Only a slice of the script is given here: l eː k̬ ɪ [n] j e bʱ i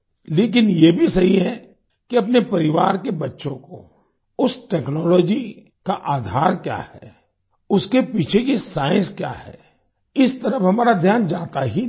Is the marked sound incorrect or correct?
correct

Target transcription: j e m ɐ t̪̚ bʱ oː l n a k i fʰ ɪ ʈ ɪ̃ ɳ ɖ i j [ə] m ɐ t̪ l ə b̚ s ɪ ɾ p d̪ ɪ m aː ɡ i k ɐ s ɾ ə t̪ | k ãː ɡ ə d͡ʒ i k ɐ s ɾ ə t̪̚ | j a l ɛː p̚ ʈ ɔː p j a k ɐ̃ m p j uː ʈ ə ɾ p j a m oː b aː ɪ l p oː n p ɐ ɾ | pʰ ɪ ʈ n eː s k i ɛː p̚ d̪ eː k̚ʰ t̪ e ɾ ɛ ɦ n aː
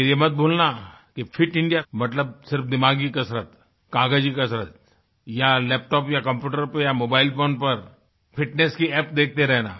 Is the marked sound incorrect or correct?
incorrect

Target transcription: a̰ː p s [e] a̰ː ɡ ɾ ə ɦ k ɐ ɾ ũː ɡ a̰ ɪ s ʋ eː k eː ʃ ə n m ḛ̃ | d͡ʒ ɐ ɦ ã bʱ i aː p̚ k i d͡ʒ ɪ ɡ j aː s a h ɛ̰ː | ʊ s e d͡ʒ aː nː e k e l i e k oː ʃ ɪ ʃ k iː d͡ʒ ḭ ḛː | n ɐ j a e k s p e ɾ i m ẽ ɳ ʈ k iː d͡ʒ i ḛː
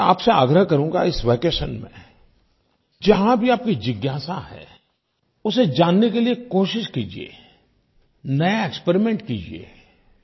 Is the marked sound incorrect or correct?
correct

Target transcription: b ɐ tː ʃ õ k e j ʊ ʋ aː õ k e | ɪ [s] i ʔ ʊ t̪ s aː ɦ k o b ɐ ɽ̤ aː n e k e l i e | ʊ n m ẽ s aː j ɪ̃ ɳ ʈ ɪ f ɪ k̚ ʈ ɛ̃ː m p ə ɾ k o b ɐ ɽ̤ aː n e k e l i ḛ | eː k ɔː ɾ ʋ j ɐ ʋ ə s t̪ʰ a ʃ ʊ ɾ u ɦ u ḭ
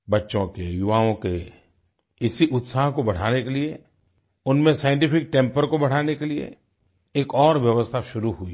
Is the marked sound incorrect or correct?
correct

